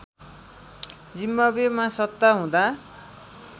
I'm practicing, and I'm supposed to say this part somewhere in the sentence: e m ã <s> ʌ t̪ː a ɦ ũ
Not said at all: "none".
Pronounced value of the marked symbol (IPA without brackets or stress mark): s